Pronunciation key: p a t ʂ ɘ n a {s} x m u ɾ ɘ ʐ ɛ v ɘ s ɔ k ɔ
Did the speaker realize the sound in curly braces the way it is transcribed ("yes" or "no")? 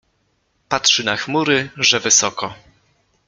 no